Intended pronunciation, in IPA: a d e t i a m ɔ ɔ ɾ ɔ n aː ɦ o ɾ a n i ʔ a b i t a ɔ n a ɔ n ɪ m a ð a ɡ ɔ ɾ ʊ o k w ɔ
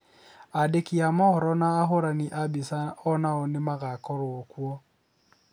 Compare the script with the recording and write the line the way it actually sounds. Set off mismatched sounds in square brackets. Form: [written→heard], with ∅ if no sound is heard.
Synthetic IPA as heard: a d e [t→k] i a m ɔ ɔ ɾ ɔ n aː ɦ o ɾ a n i ʔ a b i [t→s] a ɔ n a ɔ n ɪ m a [ð→ɣ] a [ɡ→k] ɔ ɾ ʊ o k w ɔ